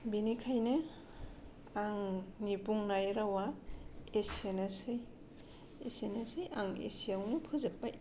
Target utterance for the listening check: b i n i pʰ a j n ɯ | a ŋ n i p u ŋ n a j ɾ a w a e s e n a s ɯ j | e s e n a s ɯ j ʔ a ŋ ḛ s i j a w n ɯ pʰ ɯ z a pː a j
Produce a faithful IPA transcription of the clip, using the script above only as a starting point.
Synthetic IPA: b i n i kʰ a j n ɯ | a ŋ n i p u ŋ n a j ɾ a w a e s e n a s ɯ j | e s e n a s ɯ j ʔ a ŋ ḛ s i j a w n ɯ pʰ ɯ z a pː a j